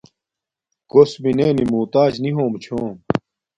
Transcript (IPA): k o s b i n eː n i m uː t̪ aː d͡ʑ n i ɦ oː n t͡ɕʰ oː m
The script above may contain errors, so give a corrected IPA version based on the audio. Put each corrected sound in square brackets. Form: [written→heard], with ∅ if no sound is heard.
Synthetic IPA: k o s b i n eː n i m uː t̪ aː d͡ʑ n i ɦ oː [n→m] t͡ɕʰ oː m